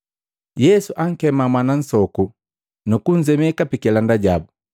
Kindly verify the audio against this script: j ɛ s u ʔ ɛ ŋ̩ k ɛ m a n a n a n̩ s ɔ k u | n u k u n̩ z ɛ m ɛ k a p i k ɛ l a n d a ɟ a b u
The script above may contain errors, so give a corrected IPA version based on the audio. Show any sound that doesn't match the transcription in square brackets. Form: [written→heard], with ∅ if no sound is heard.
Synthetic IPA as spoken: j ɛ s u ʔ [ɛ→a] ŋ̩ k ɛ m a [n→m] a n a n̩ s ɔ k u | n u k u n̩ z ɛ m ɛ k a p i k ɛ l a n d a ɟ a b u